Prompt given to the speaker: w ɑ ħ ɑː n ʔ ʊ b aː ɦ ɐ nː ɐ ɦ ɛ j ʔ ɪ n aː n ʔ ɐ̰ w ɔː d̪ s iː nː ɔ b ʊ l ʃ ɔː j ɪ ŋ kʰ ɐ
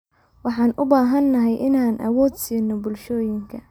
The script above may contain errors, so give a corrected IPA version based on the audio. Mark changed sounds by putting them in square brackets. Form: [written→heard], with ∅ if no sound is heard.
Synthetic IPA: w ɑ ħ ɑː n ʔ ʊ b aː ɦ ɐ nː ɐ ɦ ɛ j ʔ ɪ n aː n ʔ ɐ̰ w ɔː d̪ s iː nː ɔ b ʊ l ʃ ɔː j ɪ ŋ kʰ ɐ